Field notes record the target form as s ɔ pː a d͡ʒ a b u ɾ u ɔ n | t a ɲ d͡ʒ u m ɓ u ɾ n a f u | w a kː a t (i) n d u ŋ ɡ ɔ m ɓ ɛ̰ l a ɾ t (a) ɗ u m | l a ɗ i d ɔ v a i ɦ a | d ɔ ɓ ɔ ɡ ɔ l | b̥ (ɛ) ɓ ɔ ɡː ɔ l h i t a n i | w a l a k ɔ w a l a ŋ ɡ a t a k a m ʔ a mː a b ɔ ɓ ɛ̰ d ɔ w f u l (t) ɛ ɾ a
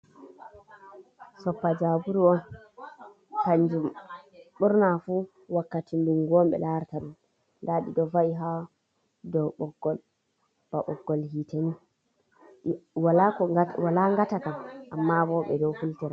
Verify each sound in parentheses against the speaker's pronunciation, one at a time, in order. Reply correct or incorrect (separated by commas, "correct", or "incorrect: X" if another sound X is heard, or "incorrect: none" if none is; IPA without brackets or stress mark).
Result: correct, correct, incorrect: a, correct